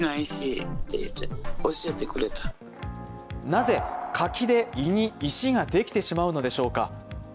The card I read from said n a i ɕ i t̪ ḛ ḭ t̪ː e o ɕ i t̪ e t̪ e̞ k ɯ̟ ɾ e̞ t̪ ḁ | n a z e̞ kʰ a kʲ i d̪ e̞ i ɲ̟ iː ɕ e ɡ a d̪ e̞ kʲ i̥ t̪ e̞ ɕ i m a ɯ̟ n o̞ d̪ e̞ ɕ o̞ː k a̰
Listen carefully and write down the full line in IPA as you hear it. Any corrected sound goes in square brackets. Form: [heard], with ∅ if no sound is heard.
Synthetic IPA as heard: n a i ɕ i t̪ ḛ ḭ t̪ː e o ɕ i [∅] e t̪ e̞ k ɯ̟ ɾ e̞ t̪ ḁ | n a z e̞ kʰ a kʲ i d̪ e̞ i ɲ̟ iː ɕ [i] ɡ a d̪ e̞ kʲ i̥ t̪ e̞ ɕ i m a ɯ̟ n o̞ d̪ e̞ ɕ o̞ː k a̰